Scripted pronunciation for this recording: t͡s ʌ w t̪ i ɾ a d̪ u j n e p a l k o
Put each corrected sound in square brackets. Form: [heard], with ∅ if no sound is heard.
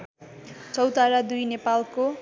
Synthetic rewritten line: t͡s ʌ w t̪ [a] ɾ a d̪ u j n e p a l k o

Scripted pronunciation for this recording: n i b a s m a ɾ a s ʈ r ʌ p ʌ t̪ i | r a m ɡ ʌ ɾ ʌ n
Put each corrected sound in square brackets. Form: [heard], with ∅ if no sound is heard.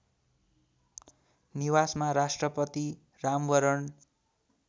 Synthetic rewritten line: n i [w] a s m a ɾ a s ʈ r ʌ p ʌ t̪ i | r a m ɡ ʌ ɾ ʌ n

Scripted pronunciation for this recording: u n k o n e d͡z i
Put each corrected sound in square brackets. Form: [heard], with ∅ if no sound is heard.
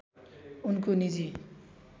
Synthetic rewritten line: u n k o n [i] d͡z i

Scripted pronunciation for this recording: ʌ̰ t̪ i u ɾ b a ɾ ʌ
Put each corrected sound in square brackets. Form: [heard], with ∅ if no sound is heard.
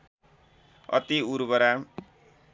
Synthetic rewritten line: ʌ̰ t̪ i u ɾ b [ʌ] ɾ [a]

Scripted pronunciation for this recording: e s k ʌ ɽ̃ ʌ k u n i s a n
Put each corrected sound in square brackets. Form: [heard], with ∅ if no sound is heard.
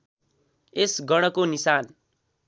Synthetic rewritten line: e s [ɡ] ʌ ɽ̃ ʌ k [o] n i s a n

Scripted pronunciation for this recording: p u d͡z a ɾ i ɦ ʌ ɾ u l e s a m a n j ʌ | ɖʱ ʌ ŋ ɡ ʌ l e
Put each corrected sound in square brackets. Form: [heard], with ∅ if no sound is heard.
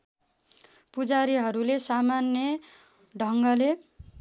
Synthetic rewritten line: p u d͡z a ɾ i ɦ ʌ ɾ u l e s a m a n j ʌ | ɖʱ ʌ ŋ ɡ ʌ l e

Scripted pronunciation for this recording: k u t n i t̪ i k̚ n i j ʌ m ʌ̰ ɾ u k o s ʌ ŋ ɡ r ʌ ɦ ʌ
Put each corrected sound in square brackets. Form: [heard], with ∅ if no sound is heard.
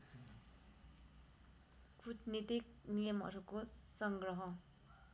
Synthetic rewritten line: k u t n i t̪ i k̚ n i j ʌ m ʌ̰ ɾ u k o s ʌ ŋ ɡ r ʌ ɦ ʌ

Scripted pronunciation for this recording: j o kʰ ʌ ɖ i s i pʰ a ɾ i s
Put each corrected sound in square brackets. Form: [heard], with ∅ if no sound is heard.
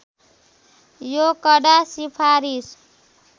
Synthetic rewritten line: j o [k] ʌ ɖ [a] s i pʰ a ɾ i s

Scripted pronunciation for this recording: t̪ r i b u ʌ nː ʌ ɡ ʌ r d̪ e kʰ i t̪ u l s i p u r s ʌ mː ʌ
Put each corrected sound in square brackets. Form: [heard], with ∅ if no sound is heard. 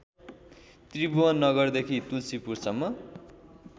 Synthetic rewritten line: t̪ r i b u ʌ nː ʌ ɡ ʌ r d̪ e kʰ i t̪ u l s i p u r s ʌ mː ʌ

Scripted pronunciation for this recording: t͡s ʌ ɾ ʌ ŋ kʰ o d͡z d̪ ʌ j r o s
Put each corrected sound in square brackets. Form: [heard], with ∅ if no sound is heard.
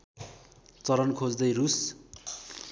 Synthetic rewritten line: t͡s ʌ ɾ ʌ [n] kʰ o d͡z d̪ ʌ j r [u] s

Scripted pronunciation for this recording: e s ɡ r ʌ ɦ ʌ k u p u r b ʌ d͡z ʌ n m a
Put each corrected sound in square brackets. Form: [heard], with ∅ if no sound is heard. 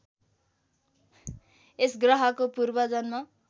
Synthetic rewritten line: e s ɡ r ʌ ɦ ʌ k [o] p u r b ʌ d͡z ʌ n m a

